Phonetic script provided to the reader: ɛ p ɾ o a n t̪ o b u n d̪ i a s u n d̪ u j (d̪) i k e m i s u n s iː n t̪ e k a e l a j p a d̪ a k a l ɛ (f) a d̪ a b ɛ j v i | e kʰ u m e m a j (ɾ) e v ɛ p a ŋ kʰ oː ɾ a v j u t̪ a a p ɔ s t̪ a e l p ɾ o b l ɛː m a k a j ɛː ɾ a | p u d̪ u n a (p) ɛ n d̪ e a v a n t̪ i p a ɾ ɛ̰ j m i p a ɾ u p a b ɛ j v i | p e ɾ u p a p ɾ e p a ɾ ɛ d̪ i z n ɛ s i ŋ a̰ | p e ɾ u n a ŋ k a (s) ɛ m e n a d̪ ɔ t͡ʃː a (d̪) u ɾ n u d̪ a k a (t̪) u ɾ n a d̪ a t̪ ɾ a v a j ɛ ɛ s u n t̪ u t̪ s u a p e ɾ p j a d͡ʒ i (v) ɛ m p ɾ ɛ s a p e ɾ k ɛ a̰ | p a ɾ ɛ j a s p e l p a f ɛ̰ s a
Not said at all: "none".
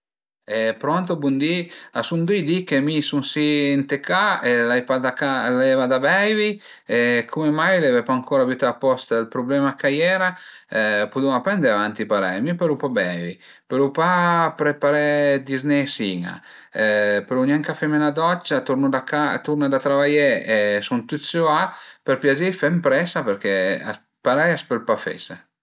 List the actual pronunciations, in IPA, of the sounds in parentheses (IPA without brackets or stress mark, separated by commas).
d̪, v, l, p, f, t̪, t̪, f